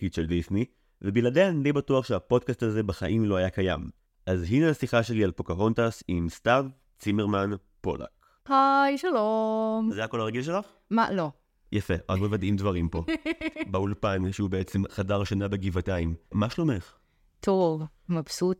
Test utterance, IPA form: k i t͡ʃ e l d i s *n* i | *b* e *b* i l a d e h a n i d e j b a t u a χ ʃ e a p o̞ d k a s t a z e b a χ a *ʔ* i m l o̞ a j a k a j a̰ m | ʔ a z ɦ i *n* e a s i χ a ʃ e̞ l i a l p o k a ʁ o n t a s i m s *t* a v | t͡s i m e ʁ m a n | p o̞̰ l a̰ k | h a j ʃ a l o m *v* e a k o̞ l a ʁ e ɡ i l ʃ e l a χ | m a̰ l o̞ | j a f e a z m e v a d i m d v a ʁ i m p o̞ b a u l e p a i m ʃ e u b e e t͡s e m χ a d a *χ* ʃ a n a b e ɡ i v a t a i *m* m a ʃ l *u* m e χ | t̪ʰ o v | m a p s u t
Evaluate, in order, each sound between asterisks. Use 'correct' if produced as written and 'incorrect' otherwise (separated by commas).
correct, incorrect, correct, correct, correct, correct, incorrect, incorrect, correct, incorrect